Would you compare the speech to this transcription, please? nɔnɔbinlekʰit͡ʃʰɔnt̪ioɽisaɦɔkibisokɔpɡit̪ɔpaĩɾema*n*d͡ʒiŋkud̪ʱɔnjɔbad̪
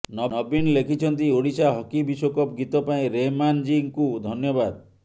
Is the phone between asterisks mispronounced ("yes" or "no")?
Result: no